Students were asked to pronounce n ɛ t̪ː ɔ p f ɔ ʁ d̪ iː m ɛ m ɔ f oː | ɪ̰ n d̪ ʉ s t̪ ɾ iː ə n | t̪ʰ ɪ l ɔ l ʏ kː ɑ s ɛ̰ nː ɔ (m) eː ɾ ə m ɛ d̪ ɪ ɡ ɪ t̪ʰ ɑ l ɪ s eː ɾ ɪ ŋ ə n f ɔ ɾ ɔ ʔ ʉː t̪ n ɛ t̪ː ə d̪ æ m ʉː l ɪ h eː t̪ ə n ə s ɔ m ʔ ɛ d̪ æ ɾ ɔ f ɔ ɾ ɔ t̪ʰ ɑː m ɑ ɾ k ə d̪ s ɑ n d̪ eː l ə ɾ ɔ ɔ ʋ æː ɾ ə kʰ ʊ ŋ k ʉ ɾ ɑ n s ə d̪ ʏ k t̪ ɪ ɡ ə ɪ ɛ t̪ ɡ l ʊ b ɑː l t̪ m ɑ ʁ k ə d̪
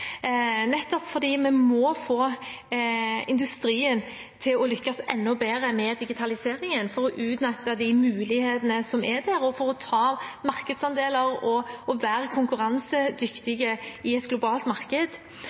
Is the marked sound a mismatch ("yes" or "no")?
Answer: yes